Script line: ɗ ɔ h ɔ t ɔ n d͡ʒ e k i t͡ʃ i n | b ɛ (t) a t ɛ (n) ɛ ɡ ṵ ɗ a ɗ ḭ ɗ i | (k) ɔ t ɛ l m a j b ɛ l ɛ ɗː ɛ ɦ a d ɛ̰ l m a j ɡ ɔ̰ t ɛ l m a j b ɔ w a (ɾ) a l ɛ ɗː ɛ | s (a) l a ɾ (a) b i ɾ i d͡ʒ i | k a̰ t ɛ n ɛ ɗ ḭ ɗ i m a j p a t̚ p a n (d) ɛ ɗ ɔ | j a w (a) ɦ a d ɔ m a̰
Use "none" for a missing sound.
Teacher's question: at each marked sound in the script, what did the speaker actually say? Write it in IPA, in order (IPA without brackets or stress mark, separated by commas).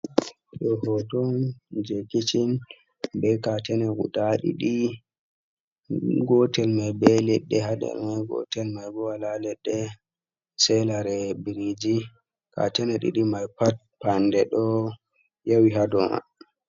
k, n, ɡ, l, ɛ, ɛ, d, i